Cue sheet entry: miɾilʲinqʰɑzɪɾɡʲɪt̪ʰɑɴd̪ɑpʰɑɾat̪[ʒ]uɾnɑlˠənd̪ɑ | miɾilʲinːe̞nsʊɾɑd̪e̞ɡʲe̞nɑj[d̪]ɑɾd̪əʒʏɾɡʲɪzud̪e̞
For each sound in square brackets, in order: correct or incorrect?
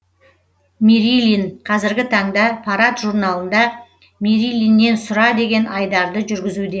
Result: correct, correct

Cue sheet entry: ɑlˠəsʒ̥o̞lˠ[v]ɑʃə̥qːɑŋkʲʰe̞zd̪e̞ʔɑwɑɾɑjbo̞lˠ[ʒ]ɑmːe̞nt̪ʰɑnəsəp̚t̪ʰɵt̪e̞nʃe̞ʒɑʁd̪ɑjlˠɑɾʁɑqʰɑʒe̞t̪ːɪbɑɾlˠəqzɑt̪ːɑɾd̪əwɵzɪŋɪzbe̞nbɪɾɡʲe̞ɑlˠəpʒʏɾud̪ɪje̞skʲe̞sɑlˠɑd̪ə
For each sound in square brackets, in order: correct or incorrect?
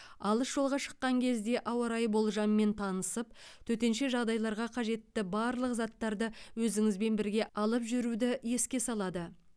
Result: incorrect, correct

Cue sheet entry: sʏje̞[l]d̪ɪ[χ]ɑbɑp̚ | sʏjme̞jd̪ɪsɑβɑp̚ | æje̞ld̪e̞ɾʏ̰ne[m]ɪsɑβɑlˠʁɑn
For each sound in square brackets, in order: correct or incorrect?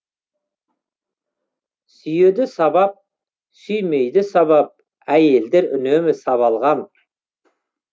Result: incorrect, incorrect, correct

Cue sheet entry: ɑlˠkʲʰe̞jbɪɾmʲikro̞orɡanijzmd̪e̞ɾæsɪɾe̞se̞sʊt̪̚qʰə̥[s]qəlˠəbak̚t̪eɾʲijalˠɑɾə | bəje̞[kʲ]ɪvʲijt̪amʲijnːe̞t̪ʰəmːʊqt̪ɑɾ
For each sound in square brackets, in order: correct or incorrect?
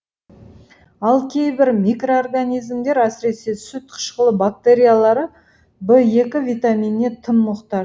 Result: incorrect, correct

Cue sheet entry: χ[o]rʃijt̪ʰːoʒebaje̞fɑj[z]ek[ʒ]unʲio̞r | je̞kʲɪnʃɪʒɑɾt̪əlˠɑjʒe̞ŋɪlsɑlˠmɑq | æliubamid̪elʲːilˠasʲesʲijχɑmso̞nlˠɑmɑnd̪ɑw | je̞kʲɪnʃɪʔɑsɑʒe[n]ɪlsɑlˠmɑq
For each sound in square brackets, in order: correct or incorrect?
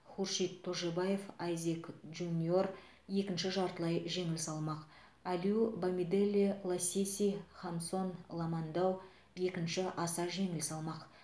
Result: incorrect, correct, correct, incorrect

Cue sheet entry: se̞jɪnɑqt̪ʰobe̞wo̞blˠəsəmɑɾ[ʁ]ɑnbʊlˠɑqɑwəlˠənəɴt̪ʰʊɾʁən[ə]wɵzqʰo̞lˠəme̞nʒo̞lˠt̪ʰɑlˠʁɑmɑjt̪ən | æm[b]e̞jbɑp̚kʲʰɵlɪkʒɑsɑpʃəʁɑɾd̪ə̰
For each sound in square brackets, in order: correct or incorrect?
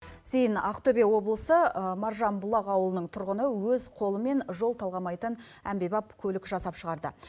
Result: incorrect, correct, correct

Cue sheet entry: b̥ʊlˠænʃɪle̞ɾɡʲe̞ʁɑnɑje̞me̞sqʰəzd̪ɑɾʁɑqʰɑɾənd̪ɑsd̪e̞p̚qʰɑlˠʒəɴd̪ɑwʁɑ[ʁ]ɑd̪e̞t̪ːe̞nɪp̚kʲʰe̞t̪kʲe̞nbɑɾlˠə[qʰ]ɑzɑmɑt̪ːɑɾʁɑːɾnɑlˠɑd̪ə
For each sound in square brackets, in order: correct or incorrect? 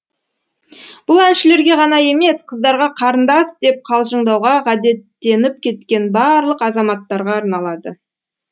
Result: correct, incorrect

